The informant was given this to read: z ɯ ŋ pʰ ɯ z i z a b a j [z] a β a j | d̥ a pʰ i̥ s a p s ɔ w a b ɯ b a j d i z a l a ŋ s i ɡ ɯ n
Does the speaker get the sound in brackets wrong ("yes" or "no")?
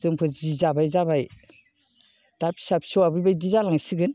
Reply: no